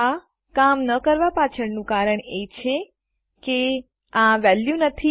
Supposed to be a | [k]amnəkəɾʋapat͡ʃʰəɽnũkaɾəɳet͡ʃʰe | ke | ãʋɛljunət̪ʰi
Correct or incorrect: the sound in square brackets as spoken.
correct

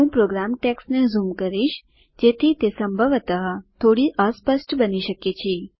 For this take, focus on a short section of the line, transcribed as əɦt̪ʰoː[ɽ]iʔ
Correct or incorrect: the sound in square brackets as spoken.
correct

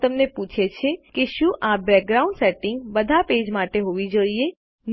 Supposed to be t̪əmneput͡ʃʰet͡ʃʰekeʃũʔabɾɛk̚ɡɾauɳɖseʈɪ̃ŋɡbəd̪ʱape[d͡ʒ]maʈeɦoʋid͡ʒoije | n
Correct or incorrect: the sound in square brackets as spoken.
correct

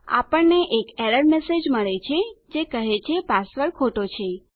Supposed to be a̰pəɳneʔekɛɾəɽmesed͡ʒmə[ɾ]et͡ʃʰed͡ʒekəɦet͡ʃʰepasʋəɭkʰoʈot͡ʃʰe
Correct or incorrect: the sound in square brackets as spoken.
incorrect: ɭ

